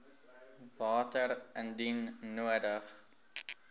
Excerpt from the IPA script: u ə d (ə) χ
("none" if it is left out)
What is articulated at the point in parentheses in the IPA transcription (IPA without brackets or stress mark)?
ə